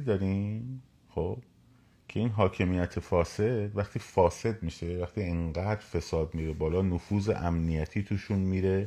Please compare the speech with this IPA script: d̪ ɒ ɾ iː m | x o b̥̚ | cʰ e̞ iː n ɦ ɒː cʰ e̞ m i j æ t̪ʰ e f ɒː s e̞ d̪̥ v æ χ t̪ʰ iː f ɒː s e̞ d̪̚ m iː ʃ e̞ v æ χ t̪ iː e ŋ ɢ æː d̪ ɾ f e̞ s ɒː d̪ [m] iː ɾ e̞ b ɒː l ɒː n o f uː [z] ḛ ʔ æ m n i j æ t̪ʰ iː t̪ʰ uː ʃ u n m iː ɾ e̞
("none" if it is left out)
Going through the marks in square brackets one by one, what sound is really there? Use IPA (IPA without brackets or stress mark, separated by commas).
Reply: m, z